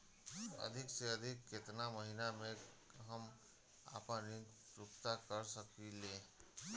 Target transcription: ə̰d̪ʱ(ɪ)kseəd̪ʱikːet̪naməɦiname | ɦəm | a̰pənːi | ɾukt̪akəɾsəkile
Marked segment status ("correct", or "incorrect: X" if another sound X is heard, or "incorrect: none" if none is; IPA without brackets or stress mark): incorrect: i